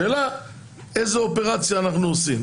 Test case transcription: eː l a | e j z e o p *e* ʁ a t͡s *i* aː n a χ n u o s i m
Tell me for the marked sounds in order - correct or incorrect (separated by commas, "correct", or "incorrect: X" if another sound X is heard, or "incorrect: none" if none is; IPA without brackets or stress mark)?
correct, incorrect: j